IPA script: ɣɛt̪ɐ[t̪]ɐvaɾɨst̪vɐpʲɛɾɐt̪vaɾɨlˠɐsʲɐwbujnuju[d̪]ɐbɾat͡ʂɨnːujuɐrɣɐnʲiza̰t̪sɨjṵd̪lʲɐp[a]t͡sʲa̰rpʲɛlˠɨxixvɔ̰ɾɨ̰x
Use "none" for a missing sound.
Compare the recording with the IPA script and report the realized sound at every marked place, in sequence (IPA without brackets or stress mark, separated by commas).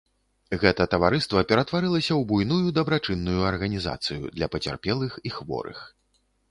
t̪, d̪, ɐ